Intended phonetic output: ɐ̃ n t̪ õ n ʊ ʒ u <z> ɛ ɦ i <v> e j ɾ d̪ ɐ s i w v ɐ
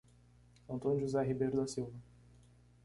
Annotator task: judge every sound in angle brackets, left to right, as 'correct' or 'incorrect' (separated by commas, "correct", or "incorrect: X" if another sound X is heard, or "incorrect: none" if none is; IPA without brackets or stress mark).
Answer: correct, incorrect: b